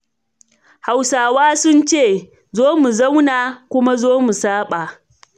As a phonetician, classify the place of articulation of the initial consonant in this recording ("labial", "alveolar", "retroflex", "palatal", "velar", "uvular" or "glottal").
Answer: glottal